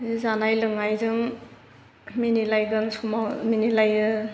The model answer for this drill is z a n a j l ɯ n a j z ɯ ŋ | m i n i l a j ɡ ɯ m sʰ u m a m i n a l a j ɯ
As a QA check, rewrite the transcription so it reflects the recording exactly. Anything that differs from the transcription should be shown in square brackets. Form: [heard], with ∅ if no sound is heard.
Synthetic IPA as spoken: z a n a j l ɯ [ŋ] a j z ɯ ŋ | m i n i l a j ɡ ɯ [n] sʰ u m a m i n [i] l a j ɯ